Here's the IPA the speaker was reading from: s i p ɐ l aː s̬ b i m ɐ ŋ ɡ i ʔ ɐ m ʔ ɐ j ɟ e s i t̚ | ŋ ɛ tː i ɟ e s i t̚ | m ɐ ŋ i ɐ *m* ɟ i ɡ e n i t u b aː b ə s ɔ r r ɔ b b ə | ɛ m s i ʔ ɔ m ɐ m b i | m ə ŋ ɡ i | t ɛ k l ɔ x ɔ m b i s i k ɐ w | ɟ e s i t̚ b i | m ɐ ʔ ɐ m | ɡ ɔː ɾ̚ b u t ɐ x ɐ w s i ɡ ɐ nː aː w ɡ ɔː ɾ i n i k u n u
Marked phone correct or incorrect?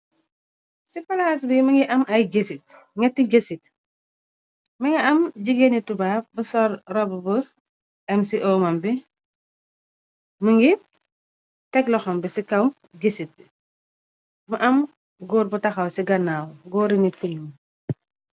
correct